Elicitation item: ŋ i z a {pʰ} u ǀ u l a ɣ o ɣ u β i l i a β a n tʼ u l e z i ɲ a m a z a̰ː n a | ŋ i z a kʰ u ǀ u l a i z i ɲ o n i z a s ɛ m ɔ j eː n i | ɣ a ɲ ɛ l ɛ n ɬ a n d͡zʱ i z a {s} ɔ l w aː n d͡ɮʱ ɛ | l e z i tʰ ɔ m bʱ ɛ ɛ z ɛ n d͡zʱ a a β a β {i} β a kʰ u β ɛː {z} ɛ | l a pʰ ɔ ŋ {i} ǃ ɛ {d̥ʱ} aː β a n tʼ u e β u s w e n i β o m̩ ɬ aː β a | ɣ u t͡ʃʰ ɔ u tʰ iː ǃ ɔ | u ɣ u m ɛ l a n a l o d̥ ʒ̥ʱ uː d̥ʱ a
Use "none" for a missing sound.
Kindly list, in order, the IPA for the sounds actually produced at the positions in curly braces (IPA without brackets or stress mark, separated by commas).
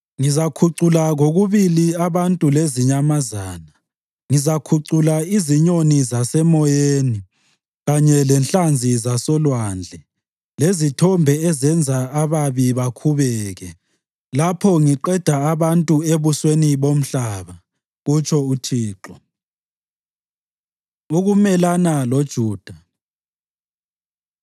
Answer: kʰ, s, i, ɣ, i, d̥ʱ